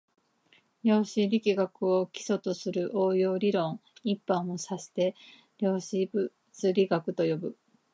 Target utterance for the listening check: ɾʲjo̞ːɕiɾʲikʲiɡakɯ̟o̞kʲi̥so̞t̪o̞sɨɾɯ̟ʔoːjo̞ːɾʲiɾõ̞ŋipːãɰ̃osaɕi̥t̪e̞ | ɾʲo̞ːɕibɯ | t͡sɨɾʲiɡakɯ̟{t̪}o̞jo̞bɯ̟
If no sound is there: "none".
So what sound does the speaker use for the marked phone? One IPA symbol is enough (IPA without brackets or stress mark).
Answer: t̪